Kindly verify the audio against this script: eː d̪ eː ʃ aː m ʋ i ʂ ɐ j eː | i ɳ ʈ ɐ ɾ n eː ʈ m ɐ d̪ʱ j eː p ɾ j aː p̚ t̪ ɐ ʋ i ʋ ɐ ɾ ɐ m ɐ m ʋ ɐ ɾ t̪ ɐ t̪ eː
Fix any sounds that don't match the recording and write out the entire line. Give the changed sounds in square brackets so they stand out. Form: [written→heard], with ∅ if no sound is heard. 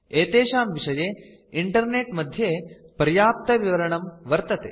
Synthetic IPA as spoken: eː [d̪→t̪] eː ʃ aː m ʋ i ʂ ɐ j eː | i ɳ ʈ ɐ ɾ n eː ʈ m ɐ d̪ʱ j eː p ɾ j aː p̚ t̪ ɐ ʋ i ʋ ɐ ɾ ɐ [m→ɳ] ɐ m ʋ ɐ ɾ t̪ ɐ t̪ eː